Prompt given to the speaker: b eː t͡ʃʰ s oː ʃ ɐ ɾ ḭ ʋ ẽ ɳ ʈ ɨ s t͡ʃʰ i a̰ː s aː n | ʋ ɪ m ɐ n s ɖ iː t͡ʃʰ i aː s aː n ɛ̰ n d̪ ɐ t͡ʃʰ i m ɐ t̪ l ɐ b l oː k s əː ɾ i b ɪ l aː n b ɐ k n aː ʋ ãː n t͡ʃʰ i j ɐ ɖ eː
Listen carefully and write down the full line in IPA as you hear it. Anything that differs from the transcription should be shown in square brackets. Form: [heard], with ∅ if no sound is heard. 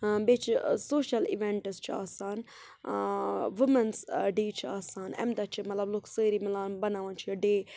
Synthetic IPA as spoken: b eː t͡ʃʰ s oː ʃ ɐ [l] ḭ ʋ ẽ ɳ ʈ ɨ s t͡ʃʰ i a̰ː s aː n | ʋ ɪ m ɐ n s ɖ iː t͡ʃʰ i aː s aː n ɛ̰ [m] d̪ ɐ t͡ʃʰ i m ɐ t̪ l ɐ b l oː k s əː ɾ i [m] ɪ l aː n b ɐ [∅] n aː ʋ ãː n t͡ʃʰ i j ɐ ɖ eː